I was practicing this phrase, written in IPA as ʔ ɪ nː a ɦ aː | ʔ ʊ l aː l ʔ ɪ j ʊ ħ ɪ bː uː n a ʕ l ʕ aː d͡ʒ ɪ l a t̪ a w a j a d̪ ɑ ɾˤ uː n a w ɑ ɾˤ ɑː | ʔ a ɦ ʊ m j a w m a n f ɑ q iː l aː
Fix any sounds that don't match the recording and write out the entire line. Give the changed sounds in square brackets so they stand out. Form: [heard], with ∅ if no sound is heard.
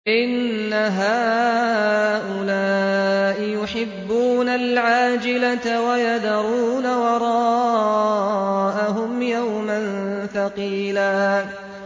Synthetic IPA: ʔ ɪ nː a ɦ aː | ʔ ʊ l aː [∅] ʔ ɪ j ʊ ħ ɪ bː uː n a [∅] l ʕ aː d͡ʒ ɪ l a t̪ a w a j a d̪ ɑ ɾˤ uː n a w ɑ ɾˤ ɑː | ʔ a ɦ ʊ m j a w m a n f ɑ q iː l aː

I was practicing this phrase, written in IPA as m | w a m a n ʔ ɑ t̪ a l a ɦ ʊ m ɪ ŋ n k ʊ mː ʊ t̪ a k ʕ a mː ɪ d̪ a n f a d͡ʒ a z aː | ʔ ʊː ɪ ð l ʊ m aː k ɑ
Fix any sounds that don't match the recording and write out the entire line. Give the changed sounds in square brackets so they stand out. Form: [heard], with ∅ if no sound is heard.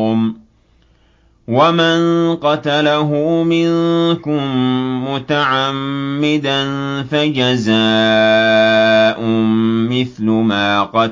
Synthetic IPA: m | w a m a n [q] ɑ t̪ a l a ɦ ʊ m ɪ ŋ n k ʊ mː ʊ t̪ a [∅] ʕ a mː ɪ d̪ a n f a d͡ʒ a z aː | ʔ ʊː ɪ [θ] l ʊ m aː [q] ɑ

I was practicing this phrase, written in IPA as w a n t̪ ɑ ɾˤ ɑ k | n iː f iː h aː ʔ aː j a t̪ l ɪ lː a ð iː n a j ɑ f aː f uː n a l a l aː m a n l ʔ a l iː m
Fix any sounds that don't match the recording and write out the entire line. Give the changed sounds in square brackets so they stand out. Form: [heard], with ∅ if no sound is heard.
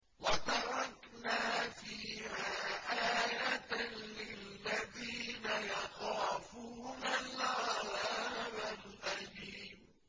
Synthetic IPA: w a [∅] t̪ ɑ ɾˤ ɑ k | n [aː] f iː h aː ʔ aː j a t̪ l ɪ lː a ð iː n a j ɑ [x] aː f uː n a l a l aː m a [∅] l ʔ a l iː m

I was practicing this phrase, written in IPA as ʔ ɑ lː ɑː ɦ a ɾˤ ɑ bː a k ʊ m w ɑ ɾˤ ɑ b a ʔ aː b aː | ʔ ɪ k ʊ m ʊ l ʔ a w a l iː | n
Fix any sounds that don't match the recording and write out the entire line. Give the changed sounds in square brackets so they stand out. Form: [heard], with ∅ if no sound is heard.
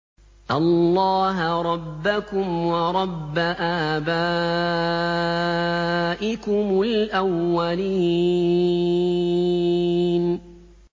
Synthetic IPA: ʔ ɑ lː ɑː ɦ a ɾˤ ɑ bː a k ʊ m w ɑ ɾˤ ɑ [bː] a ʔ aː b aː | ʔ ɪ k ʊ m ʊ l ʔ a [wː] a l iː | n

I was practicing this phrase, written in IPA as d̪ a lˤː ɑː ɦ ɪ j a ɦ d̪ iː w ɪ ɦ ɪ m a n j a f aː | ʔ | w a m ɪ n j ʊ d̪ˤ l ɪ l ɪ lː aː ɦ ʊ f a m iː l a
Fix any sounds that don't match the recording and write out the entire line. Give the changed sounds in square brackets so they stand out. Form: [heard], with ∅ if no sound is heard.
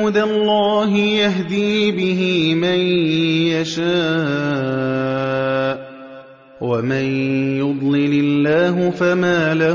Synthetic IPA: d̪ a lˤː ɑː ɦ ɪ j a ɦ d̪ iː [b] ɪ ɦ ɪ m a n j a [ʃ] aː | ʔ | w a m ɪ n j ʊ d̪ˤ l ɪ l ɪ lː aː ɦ ʊ f a m [aː] l a

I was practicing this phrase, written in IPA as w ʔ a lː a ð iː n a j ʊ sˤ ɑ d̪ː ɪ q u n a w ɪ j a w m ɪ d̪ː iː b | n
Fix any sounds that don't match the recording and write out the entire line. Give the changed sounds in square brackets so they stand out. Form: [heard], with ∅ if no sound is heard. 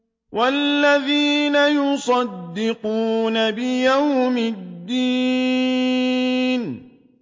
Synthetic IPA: w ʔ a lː a ð iː n a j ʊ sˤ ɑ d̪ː ɪ q [uː] n a [b] ɪ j a w m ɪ d̪ː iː [∅] | n

